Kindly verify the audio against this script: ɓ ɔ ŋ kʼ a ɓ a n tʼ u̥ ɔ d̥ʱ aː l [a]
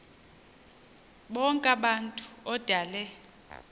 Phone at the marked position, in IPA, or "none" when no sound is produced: ɛ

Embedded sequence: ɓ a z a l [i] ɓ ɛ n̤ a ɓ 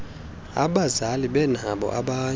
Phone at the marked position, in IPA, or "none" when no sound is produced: i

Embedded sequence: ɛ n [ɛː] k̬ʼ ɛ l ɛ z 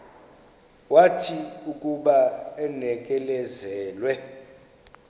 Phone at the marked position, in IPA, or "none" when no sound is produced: ɛ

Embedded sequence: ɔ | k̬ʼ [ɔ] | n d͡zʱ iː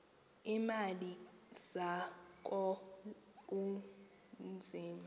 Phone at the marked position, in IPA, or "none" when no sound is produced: u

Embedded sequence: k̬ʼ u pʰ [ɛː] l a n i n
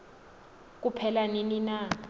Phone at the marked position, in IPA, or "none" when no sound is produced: ɛ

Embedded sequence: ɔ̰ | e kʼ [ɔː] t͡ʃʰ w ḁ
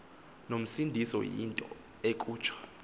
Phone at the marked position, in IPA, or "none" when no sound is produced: uː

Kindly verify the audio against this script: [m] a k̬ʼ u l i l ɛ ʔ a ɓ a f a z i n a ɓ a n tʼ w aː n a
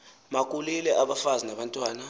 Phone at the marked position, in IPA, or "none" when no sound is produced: m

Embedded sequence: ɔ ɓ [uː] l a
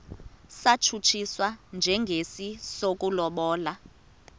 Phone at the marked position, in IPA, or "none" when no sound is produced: ɔː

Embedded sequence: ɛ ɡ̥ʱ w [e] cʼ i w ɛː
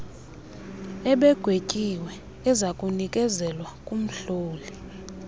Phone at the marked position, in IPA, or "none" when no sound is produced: e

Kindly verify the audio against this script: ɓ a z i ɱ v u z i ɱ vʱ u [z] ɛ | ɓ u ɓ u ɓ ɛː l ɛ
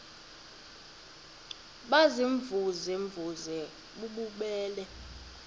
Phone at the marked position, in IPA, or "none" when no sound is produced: z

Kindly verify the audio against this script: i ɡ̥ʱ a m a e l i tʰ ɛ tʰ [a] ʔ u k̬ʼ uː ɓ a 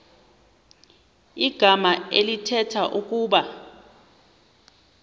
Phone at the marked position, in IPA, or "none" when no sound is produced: a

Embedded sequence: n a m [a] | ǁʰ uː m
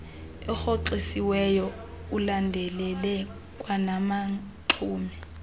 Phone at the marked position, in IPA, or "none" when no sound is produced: a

